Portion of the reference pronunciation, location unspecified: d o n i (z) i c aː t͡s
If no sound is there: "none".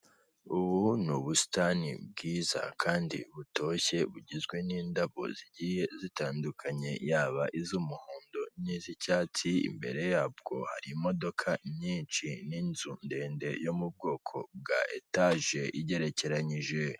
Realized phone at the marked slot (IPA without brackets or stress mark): z